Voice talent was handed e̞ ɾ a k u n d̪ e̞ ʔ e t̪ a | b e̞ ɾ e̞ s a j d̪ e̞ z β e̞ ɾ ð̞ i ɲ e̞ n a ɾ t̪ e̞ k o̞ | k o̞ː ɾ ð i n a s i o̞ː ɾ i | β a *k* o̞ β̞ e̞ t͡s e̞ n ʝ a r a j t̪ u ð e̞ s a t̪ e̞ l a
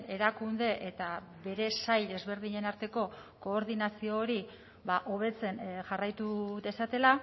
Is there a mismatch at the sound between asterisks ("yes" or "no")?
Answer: yes